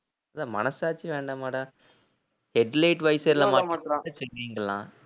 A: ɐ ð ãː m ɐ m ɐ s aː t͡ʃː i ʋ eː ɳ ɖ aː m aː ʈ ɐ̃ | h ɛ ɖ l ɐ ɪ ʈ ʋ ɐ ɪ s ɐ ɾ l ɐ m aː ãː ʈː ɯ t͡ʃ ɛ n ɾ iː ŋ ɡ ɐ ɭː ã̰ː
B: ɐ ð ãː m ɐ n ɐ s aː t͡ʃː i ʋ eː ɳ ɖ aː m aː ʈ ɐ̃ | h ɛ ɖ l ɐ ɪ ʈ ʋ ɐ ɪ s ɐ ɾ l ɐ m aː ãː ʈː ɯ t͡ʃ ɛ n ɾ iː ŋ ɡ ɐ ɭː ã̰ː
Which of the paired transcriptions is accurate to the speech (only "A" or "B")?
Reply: B